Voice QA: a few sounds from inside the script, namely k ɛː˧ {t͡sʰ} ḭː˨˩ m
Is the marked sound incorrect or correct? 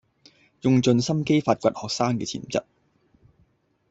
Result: correct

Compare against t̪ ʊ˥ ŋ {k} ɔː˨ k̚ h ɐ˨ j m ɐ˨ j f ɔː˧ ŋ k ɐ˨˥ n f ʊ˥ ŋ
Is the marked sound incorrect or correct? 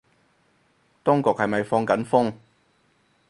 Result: correct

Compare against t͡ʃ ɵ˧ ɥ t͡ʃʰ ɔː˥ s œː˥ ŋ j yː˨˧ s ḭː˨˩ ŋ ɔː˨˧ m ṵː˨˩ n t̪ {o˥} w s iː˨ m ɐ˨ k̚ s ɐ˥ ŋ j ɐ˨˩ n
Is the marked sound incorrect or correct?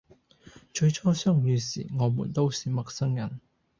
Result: correct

